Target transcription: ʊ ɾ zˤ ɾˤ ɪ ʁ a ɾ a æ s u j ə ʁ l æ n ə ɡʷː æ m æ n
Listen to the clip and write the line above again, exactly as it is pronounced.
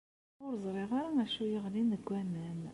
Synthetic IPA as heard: ʊ ɾ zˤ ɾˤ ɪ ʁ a ɾ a æ ʃ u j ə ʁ l i n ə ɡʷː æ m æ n